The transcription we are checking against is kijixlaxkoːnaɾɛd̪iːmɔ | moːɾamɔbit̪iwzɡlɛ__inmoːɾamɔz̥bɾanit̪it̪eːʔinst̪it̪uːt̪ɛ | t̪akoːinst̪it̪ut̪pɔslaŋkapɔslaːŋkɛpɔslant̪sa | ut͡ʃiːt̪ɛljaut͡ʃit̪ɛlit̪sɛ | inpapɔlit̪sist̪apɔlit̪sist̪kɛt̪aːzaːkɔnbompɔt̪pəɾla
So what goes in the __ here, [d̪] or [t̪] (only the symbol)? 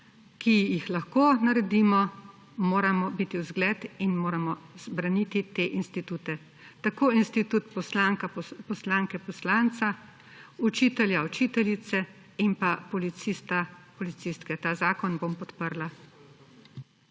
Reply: t̪